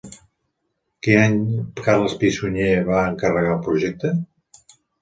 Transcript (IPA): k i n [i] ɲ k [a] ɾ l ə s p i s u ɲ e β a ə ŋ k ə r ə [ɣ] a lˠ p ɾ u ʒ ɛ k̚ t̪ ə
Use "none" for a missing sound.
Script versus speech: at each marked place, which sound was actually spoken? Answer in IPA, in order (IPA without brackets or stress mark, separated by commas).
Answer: a, a, ɣ